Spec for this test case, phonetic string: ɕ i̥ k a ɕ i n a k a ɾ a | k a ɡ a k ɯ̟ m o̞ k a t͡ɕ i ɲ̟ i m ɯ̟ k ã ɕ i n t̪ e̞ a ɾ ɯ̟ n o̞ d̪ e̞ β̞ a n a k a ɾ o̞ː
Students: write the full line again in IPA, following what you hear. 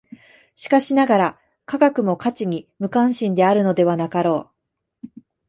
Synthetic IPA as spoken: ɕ i̥ k a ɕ i n a ɡ a ɾ a | k a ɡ a k ɯ̟ m o̞ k a t͡ɕ i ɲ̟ i m ɯ̟ k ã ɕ ĩ n d̪ e̞ a ɾ ɯ̟ n o̞ d̪ e̞ β̞ a n a k a ɾ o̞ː